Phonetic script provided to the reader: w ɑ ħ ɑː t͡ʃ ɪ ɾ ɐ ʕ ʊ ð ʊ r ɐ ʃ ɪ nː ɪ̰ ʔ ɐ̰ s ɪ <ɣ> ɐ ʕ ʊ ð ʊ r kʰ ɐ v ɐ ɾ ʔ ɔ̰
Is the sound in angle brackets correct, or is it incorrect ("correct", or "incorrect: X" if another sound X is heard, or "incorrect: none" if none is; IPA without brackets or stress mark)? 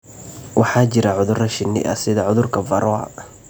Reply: incorrect: ð